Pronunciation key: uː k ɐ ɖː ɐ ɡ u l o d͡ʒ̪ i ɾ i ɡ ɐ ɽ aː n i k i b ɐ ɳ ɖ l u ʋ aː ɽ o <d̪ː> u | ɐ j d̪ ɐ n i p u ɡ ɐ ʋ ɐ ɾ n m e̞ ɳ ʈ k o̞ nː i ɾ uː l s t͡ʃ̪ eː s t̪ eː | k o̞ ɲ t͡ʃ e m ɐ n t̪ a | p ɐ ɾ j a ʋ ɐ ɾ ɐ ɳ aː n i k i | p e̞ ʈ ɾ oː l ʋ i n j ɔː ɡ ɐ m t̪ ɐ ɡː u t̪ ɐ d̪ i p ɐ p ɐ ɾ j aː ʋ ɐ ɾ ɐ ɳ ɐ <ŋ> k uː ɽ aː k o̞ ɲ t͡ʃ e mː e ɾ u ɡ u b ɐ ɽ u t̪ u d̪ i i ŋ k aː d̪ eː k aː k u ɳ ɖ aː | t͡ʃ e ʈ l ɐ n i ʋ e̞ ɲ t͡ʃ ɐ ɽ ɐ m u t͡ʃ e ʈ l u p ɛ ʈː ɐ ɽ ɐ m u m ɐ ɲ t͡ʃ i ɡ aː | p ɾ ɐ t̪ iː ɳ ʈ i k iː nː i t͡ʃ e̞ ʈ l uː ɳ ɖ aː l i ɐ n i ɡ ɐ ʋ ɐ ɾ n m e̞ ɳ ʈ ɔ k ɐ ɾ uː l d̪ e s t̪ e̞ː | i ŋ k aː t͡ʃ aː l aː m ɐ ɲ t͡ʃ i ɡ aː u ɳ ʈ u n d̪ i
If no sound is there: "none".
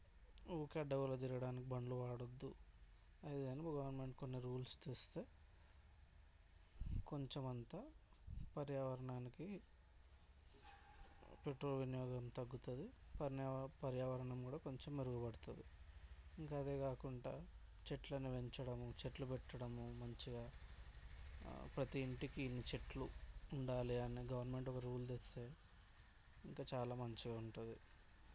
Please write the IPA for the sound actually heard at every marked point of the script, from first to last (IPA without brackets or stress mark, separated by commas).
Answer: d̪ː, m